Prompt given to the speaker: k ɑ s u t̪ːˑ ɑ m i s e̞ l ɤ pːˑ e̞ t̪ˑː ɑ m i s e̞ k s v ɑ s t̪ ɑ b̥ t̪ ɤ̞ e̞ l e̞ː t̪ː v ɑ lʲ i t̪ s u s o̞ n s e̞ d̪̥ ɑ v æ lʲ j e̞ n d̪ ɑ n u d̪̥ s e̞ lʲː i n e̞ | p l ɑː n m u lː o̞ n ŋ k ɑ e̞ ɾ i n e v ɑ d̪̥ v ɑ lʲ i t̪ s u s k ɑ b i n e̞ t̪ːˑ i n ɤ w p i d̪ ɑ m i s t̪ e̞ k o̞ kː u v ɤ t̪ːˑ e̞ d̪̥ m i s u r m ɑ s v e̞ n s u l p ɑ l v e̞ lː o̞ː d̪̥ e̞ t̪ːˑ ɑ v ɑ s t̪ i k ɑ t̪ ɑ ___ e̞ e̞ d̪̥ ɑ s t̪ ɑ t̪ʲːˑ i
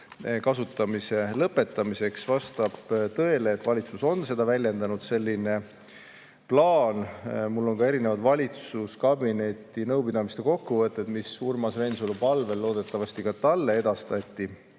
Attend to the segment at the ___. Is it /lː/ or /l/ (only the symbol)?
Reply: lː